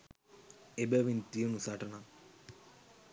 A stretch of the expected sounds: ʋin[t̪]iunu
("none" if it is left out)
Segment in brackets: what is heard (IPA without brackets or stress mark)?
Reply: t̪